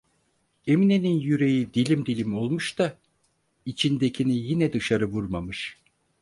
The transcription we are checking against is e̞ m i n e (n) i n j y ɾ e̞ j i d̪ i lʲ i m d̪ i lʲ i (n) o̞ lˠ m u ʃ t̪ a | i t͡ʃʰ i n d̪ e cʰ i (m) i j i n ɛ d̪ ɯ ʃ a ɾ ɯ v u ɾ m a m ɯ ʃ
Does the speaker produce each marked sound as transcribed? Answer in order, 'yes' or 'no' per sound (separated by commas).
yes, no, no